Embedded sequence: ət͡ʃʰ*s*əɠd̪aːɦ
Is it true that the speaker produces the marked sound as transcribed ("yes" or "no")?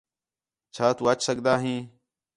yes